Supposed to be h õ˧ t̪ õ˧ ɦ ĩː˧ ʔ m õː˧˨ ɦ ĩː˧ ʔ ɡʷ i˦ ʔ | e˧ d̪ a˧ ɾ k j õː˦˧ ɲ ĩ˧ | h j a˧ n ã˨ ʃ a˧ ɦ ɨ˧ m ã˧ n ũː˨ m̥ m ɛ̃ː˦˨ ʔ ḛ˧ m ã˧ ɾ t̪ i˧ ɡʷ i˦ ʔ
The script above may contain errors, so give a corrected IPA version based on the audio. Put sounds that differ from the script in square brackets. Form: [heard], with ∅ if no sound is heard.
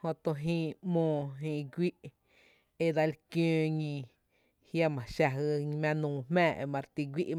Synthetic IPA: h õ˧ t̪ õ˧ ɦ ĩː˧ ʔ m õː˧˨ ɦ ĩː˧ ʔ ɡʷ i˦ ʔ | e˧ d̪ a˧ [l] k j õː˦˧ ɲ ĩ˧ | h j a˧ [m] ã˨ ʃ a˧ ɦ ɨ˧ m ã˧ n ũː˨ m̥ m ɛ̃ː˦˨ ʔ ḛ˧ m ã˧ ɾ t̪ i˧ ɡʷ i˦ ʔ

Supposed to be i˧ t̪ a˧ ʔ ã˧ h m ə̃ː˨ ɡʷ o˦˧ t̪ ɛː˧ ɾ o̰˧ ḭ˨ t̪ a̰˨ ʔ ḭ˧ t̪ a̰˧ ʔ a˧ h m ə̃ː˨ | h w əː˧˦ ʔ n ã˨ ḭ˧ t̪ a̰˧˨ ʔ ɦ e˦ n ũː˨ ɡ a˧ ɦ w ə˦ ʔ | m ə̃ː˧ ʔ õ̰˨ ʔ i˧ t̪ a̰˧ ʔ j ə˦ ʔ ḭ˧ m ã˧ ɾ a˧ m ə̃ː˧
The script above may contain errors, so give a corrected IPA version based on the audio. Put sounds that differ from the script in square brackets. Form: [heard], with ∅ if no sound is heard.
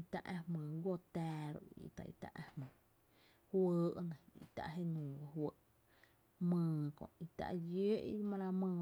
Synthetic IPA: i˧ t̪ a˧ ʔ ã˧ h m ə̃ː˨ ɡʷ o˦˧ t̪ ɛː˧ ɾ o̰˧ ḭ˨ t̪ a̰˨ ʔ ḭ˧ t̪ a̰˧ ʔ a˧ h m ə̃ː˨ | h w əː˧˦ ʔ n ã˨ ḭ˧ t̪ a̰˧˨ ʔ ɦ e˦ n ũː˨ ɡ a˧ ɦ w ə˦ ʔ | m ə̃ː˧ [k] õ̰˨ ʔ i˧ t̪ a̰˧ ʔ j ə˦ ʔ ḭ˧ m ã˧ ɾ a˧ m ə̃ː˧

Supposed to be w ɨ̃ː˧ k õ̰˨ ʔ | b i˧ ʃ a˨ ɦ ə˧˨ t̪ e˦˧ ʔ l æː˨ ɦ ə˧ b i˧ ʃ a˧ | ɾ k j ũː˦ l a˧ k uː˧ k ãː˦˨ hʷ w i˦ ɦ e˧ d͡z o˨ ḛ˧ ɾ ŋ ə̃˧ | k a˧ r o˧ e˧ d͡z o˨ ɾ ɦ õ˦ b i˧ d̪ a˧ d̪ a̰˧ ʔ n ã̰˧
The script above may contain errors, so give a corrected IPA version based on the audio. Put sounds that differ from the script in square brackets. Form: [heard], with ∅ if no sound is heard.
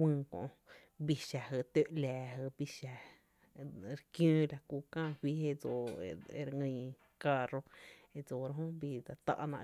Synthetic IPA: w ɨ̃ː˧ k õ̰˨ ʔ | b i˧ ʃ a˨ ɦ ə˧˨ t̪ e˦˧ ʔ l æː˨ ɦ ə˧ b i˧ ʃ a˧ | ɾ k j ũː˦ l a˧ k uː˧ k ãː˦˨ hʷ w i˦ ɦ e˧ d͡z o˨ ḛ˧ ɾ ŋ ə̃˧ | k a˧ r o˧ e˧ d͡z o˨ ɾ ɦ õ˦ b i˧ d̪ a˧ [t̪] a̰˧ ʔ n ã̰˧

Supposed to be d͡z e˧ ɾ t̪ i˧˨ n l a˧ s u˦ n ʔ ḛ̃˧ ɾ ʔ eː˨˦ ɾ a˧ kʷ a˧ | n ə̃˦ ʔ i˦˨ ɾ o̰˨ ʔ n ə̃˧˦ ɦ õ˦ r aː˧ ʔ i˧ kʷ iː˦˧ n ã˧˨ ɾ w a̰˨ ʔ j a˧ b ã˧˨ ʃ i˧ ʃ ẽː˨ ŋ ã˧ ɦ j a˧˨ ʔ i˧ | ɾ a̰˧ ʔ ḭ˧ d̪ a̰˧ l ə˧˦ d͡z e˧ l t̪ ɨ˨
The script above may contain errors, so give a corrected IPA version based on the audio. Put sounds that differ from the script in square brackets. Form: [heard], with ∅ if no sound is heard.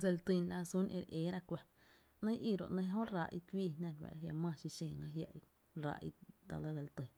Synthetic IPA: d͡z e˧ [l] t̪ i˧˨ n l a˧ s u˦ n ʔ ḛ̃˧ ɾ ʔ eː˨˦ ɾ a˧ kʷ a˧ | n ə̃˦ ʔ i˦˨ ɾ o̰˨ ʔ n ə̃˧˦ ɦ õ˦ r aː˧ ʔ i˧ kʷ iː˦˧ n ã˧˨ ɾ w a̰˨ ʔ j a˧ [m] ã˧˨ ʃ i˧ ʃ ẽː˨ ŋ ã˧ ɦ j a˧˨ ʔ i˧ | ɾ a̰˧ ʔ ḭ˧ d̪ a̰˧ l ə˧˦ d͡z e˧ l t̪ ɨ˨

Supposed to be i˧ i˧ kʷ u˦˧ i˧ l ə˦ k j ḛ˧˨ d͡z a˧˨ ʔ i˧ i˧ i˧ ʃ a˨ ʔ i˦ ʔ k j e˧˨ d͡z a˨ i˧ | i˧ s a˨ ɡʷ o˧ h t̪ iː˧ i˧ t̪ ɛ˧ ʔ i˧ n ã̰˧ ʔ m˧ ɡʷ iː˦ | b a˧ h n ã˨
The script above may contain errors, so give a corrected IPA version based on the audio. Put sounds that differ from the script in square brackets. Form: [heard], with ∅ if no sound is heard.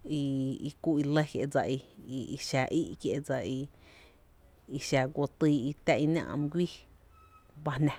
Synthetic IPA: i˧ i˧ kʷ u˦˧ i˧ l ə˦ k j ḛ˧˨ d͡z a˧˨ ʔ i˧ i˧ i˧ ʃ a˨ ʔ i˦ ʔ k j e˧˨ d͡z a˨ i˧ | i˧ [ʃ] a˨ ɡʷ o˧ [∅] t̪ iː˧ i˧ t̪ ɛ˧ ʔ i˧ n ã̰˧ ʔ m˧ ɡʷ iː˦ | b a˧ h n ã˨

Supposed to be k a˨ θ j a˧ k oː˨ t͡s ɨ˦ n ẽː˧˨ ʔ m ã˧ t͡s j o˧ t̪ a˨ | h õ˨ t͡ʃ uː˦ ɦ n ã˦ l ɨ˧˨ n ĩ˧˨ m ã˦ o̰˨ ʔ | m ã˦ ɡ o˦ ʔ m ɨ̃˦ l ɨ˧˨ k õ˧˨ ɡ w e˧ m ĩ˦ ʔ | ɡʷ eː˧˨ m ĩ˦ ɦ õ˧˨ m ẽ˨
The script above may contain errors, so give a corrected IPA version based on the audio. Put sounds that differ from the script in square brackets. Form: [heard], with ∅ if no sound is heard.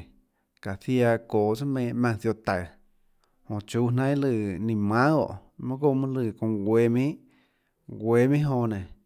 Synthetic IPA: k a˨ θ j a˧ k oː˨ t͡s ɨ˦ [m] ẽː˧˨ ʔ m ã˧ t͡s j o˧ t̪ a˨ | h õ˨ t͡ʃ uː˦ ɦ n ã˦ l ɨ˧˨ n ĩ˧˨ m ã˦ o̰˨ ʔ | m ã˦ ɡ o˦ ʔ m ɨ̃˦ l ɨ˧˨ k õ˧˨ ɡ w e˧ m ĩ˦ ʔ | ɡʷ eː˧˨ m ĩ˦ ɦ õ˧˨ [n] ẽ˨

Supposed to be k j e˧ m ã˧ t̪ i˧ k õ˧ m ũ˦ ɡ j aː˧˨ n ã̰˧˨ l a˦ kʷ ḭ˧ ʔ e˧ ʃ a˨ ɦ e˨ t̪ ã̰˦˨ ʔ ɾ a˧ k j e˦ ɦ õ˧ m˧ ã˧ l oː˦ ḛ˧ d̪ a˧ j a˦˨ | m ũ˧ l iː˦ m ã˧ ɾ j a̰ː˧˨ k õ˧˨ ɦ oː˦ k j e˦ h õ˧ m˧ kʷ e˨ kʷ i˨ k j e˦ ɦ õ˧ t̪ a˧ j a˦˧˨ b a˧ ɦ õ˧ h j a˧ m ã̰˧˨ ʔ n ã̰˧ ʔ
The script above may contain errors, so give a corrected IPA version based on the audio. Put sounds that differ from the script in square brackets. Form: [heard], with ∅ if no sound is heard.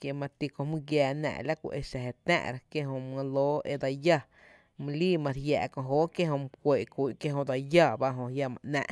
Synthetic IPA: k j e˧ m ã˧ t̪ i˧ k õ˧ m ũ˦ ɡ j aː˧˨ n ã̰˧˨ l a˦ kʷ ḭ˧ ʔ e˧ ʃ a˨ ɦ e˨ t̪ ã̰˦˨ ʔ ɾ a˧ k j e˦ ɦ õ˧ m˧ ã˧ l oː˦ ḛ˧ d̪ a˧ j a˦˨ | m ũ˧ l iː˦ m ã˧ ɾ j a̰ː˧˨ k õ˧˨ ɦ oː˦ k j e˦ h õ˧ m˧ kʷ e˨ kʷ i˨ k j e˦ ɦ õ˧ [d̪] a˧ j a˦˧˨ b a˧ ɦ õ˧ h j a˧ m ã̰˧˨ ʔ n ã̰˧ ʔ

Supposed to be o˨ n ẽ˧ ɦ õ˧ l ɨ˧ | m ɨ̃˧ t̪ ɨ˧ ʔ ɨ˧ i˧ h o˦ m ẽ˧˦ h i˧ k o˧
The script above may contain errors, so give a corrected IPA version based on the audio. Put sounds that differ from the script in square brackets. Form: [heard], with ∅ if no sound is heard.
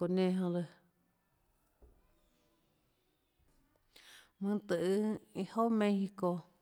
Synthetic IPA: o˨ n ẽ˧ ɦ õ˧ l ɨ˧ | m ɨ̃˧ t̪ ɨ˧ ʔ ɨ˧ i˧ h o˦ m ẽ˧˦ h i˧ k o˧

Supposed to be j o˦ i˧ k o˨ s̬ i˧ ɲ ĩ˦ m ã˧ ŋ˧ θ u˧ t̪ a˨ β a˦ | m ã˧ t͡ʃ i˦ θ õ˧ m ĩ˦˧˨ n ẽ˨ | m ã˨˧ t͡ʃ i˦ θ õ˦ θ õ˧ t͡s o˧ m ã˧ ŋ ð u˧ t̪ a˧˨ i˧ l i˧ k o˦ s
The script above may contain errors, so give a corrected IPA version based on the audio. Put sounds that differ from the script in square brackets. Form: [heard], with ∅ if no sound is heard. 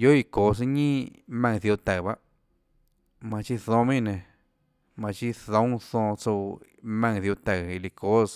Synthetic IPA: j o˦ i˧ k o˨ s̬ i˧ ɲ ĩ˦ m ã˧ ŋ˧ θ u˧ t̪ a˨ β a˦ | m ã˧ t͡ʃ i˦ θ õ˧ m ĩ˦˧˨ n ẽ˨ | m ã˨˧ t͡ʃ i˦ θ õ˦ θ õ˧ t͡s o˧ m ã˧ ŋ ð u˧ t̪ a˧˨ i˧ l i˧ k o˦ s

